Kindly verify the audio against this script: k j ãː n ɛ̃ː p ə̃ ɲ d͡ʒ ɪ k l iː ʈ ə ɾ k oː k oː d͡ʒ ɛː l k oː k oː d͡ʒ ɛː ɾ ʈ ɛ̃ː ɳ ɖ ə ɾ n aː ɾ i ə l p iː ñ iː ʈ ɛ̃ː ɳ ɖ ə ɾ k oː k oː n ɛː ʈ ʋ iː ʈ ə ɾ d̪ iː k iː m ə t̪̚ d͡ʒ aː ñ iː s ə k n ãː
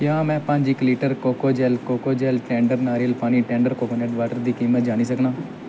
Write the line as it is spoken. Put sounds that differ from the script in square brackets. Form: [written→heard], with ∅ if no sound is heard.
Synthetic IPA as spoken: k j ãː [n→m] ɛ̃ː p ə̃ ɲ d͡ʒ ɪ k l iː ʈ ə ɾ k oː k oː d͡ʒ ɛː l k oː k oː d͡ʒ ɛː [ɾ→l] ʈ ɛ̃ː ɳ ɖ ə ɾ n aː ɾ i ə l p [iː→aː] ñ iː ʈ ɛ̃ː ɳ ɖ ə ɾ k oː k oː n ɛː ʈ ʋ [iː→aː] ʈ ə ɾ d̪ iː k iː m ə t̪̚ d͡ʒ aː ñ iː s ə k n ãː